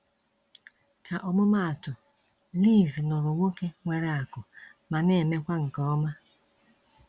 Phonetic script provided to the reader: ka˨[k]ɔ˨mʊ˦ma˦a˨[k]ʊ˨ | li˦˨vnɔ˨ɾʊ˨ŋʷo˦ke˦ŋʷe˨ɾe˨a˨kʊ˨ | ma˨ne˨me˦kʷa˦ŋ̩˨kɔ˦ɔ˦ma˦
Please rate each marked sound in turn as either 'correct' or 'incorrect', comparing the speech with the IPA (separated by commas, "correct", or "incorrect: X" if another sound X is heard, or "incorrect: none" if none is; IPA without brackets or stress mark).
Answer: incorrect: ʔ, incorrect: t